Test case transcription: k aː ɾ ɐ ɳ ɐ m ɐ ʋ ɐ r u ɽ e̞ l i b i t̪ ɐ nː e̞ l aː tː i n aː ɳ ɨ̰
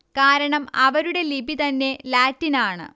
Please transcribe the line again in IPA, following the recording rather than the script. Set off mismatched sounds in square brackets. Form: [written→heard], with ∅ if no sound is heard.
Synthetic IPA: k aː ɾ ɐ ɳ ɐ m ɐ ʋ ɐ [r→ɾ] u ɽ e̞ l i b i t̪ ɐ nː e̞ l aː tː i n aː ɳ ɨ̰

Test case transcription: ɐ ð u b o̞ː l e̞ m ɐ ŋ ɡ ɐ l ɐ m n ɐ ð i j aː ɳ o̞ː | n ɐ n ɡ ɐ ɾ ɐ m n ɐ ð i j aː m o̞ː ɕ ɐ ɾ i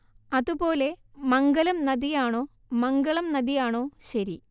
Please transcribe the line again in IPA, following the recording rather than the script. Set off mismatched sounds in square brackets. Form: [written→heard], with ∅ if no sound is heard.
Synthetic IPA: ɐ ð u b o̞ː l e̞ m ɐ ŋ ɡ ɐ l ɐ m n ɐ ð i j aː ɳ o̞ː | [n→m] ɐ [n→ŋ] ɡ ɐ [ɾ→ɭ] ɐ m n ɐ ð i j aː [m→ɳ] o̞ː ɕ ɐ ɾ i

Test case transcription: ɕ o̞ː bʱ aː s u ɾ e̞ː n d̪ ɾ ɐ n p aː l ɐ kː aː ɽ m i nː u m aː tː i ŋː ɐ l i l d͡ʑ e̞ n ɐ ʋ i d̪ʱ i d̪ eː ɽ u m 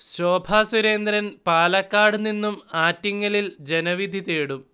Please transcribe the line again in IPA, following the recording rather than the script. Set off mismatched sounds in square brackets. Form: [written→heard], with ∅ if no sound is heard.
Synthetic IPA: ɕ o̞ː bʱ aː s u ɾ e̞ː n d̪ ɾ ɐ n p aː l ɐ kː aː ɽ [m→n] i nː u m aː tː i ŋː ɐ l i l d͡ʑ e̞ n ɐ ʋ i d̪ʱ i [d̪→t̪] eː ɽ u m

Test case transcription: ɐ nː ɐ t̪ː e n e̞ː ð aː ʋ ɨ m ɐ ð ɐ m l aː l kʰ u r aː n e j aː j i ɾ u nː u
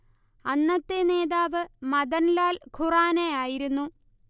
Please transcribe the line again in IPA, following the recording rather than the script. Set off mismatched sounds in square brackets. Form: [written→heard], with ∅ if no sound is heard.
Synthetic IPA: ɐ nː ɐ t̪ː e n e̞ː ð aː ʋ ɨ m ɐ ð ɐ [m→n] l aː l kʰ u r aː n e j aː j i ɾ u nː u

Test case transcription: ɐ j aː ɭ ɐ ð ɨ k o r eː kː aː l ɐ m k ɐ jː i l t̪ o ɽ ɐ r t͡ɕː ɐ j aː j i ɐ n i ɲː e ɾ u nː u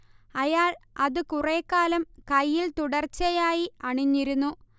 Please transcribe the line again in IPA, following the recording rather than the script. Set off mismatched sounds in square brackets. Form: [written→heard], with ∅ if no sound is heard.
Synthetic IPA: ɐ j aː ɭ ɐ ð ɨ k [o→u] r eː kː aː l ɐ m k ɐ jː i l t̪ [o→u] ɽ ɐ r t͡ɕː ɐ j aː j i ɐ [n→ɳ] i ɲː [e→i] ɾ u nː u

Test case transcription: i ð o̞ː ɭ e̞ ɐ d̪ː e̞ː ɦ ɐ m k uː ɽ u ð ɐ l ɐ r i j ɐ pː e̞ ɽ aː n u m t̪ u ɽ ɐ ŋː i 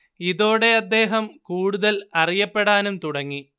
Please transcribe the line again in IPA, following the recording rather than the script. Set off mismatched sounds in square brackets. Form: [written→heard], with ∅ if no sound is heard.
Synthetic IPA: i ð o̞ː [ɭ→ɽ] e̞ ɐ d̪ː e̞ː ɦ ɐ m k uː ɽ u ð ɐ l ɐ r i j ɐ pː e̞ ɽ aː n u m t̪ u ɽ ɐ ŋː i

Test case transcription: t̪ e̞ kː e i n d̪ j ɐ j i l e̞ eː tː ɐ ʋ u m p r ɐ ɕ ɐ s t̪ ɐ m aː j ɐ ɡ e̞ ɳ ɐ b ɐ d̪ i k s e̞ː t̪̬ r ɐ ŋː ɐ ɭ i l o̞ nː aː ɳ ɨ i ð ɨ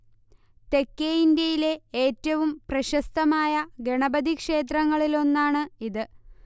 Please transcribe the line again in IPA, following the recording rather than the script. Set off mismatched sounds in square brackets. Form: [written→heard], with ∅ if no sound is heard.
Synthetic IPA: t̪ e̞ kː e i n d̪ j ɐ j i l e̞ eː tː ɐ ʋ u m p r ɐ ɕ ɐ s t̪ ɐ m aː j ɐ ɡ e̞ ɳ ɐ b ɐ d̪ i k [s→ʂ] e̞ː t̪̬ r ɐ ŋː ɐ ɭ i l o̞ nː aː ɳ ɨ i ð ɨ

